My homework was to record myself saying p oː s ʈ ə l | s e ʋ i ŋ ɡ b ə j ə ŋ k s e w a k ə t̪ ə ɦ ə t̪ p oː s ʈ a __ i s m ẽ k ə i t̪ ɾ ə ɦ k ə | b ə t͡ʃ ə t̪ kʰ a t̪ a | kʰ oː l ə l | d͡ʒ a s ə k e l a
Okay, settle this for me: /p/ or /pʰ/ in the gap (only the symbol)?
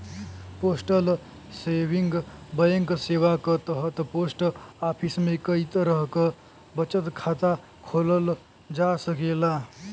pʰ